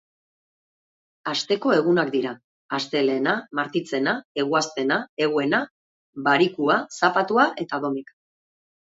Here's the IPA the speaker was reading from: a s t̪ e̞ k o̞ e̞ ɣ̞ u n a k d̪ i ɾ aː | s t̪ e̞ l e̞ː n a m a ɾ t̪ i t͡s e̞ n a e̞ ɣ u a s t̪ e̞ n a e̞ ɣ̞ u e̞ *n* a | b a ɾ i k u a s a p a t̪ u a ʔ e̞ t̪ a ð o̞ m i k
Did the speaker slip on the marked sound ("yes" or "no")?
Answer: no